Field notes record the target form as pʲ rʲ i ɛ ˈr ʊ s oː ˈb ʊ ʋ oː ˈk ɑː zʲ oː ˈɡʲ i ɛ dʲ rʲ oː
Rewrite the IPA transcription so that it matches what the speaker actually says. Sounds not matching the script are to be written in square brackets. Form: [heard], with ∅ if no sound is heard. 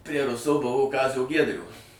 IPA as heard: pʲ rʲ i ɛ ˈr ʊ s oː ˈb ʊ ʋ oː ˈk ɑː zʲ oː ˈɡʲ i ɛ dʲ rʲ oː